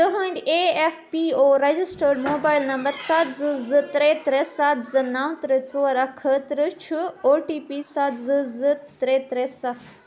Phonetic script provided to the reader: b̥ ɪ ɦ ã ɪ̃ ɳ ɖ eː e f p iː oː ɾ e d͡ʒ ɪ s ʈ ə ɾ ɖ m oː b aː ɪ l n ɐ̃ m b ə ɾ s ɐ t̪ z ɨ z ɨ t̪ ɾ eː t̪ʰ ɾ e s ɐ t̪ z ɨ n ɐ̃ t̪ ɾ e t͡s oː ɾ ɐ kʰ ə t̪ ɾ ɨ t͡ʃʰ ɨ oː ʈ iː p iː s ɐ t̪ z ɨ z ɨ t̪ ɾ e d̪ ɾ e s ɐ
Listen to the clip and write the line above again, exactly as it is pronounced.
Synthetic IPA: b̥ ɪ ɦ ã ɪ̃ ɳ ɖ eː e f p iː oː ɾ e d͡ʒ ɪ s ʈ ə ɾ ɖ m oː b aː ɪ l n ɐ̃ m b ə ɾ s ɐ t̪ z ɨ z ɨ t̪ ɾ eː t̪ ɾ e s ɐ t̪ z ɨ n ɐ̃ t̪ ɾ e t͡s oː ɾ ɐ kʰ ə t̪ ɾ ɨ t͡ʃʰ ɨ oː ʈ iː p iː s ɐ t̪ z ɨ z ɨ t̪ ɾ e t̪ ɾ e s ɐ